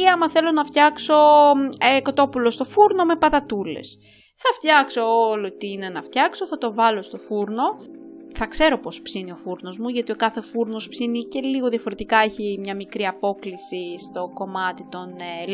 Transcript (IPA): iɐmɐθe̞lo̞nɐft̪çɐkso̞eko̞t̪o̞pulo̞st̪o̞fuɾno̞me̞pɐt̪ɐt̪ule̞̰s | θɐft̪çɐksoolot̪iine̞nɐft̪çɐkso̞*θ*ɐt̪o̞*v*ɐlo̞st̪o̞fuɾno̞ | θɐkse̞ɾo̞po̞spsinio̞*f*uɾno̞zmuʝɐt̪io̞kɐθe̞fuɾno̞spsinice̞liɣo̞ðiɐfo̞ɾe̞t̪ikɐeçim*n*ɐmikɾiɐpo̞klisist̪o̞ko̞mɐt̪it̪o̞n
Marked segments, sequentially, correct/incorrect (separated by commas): correct, correct, correct, incorrect